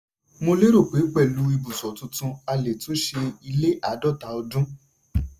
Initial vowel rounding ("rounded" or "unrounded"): rounded